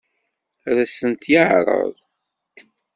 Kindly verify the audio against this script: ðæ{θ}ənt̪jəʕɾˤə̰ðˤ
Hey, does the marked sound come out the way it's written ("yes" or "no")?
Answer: no